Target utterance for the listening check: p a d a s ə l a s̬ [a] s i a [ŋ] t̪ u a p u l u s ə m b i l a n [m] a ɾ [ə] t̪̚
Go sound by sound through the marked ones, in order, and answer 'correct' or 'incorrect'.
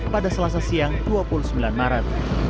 correct, correct, correct, incorrect

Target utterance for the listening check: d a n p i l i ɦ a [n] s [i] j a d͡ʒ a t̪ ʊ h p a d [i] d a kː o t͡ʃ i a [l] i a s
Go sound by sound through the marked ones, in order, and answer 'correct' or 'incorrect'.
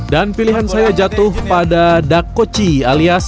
correct, incorrect, incorrect, correct

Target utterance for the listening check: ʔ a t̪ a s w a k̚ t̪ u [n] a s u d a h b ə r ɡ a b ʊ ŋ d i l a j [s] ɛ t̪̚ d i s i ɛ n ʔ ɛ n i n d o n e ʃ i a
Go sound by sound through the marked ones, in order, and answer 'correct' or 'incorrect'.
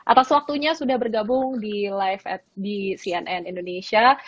incorrect, incorrect

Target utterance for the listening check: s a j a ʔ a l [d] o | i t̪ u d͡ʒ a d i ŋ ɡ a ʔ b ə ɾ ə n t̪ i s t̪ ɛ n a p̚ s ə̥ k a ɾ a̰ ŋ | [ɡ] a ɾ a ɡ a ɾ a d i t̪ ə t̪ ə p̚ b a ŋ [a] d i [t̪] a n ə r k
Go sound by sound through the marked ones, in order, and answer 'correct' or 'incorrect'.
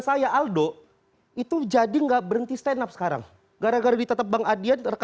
correct, correct, correct, incorrect

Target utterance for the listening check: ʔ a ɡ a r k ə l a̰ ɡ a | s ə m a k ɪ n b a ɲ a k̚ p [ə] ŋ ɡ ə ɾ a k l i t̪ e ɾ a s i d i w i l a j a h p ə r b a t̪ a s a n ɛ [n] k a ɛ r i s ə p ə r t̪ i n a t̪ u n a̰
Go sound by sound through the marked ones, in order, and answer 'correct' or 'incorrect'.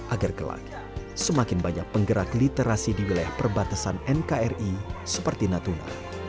correct, correct

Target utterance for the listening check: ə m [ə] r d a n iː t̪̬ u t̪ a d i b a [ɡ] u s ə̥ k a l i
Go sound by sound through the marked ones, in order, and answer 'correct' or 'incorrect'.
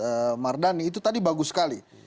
incorrect, correct

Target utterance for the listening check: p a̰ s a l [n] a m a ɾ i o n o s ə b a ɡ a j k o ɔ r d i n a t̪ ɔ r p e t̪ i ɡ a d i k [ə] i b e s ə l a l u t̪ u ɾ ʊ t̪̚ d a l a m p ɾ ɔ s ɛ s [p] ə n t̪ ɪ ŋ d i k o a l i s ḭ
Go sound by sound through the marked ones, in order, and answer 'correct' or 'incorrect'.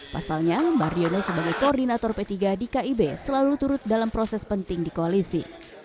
incorrect, incorrect, correct

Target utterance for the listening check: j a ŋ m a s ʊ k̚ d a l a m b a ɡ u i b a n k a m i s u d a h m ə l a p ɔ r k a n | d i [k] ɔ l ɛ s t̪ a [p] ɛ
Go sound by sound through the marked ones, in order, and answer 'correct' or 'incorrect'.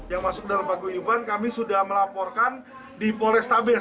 incorrect, incorrect

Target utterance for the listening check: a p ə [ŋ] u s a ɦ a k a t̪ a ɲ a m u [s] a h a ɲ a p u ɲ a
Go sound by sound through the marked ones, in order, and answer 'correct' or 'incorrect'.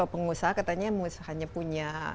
correct, correct

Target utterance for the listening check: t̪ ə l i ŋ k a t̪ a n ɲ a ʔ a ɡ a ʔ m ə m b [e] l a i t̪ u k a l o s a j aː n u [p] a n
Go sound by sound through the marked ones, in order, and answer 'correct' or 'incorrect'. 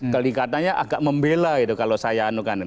correct, incorrect

